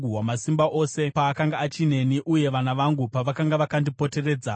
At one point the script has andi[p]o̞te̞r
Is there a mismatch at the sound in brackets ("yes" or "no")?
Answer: no